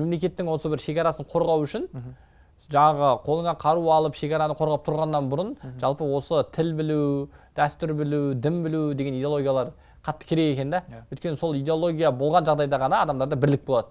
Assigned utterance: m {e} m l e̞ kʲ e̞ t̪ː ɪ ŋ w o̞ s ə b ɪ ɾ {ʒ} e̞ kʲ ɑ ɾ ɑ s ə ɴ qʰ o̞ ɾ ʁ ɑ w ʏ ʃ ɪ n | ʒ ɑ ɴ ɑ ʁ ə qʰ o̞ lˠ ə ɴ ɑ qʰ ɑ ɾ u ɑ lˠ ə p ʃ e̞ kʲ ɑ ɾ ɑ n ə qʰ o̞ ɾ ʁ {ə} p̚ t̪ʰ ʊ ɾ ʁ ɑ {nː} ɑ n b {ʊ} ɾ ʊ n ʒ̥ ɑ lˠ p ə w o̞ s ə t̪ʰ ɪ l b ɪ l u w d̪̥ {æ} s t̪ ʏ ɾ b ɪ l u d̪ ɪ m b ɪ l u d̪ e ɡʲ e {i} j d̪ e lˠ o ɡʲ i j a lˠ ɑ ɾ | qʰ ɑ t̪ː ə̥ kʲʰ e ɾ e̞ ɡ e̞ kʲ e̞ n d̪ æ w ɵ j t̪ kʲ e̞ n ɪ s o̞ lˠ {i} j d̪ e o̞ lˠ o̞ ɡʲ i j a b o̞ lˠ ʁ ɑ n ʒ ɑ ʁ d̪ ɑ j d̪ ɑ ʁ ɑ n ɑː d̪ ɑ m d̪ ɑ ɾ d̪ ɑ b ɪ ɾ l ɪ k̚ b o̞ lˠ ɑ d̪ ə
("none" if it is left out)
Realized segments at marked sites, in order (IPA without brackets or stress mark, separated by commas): e, ʃ, ɑ, nː, ʊ, æ, i, i